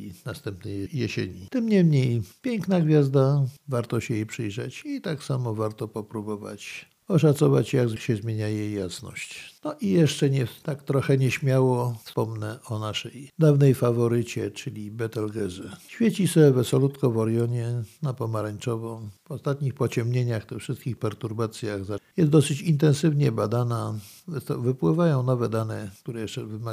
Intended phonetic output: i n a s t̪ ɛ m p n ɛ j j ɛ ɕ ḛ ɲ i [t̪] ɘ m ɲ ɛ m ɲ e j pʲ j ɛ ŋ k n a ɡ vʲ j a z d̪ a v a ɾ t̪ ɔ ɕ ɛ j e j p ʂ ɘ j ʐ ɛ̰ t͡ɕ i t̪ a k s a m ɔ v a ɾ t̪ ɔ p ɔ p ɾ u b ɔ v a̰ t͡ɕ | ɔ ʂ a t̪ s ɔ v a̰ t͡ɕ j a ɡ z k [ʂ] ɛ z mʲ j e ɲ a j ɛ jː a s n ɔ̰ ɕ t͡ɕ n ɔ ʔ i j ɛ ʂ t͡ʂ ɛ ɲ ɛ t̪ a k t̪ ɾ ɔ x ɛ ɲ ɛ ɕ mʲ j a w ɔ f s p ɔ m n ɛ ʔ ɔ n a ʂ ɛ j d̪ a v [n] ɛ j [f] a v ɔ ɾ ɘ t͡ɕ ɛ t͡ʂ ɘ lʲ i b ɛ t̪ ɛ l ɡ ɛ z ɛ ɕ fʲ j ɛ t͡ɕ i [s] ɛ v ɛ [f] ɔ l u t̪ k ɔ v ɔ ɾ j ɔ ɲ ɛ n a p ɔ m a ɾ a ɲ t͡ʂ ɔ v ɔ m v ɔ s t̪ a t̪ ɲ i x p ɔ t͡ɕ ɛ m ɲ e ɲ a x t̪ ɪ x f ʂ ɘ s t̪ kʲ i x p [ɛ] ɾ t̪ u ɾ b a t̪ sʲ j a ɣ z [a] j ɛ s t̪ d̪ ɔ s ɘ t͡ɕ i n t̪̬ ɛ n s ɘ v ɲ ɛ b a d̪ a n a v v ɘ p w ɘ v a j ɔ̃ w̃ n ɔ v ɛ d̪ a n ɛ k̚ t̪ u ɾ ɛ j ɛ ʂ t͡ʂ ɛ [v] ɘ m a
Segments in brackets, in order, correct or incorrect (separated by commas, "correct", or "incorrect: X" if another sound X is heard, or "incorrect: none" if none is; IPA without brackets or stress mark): correct, incorrect: ɕ, correct, correct, correct, incorrect: s, correct, correct, correct